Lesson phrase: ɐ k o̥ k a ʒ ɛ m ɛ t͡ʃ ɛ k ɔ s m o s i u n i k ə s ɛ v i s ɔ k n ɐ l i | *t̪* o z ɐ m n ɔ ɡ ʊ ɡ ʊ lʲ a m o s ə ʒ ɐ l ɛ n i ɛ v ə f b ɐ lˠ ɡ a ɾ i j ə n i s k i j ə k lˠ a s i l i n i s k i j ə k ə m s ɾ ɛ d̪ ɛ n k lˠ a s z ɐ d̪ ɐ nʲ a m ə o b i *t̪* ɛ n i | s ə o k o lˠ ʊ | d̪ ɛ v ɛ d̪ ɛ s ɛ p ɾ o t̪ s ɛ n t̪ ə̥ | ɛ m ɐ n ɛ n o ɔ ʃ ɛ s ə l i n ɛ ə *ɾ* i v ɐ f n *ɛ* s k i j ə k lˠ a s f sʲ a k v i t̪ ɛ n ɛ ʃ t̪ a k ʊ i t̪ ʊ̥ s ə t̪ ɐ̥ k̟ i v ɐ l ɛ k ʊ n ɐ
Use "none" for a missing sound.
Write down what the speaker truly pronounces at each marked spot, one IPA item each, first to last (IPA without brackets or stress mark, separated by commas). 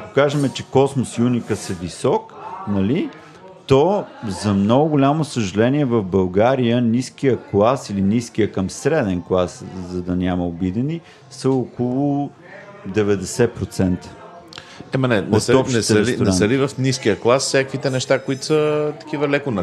t̪, d̪, l, i